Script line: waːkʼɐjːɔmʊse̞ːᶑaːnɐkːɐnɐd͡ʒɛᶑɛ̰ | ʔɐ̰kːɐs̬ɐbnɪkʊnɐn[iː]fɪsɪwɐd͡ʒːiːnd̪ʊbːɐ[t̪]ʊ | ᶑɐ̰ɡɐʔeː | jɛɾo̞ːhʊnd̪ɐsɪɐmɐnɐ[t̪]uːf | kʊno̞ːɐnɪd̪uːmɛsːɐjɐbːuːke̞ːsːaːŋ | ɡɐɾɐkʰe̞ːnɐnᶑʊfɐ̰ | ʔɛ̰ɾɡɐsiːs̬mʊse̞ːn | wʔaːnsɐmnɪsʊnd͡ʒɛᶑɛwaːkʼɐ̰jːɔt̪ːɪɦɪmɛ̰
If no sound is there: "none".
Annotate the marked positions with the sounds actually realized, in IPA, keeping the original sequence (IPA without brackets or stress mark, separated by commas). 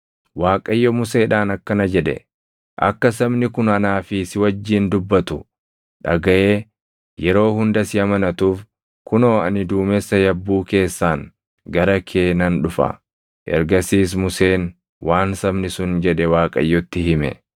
aː, t̪, t̪